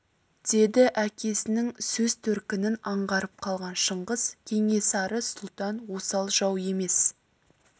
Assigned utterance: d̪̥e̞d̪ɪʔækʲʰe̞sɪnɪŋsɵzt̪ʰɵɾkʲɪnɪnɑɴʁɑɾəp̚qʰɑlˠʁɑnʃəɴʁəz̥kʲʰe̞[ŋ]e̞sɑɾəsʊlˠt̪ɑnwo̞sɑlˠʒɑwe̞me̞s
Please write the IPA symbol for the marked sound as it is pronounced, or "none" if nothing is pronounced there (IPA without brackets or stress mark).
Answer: ŋ